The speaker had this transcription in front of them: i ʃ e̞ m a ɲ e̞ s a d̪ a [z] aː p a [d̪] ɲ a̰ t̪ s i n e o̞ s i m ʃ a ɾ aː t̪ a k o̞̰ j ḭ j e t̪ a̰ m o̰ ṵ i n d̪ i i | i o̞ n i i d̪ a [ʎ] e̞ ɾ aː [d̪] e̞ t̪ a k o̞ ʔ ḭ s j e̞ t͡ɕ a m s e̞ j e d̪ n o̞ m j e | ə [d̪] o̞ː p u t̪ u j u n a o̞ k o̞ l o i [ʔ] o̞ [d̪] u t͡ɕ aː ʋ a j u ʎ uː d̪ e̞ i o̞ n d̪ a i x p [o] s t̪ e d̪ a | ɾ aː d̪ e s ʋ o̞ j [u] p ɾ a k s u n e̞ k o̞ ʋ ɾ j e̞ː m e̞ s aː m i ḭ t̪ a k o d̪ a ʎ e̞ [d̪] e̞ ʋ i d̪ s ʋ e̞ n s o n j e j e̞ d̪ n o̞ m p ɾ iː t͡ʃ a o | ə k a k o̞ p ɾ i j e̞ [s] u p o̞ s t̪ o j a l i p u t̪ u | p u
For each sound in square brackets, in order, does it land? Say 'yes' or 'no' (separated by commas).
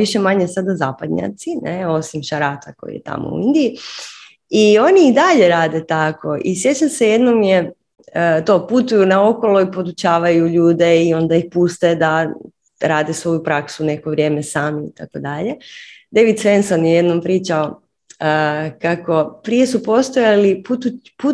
yes, yes, yes, yes, no, no, yes, no, yes, yes, yes